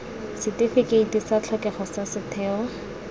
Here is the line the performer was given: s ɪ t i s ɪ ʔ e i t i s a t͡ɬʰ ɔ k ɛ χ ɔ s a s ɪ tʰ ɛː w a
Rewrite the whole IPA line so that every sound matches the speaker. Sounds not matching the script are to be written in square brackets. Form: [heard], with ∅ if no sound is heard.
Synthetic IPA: s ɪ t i [f] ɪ [k] e i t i s a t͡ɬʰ ɔ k ɛ χ ɔ s a s ɪ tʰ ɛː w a